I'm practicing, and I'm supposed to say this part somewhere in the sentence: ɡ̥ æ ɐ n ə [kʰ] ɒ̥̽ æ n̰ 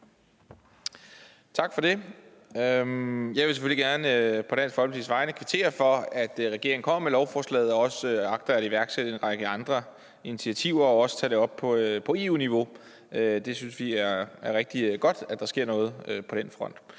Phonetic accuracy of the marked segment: incorrect: pʰ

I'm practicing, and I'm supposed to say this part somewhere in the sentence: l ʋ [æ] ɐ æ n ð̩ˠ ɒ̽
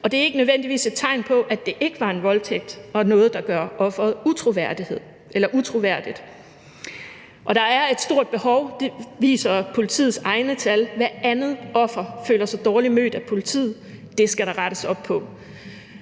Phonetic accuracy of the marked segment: correct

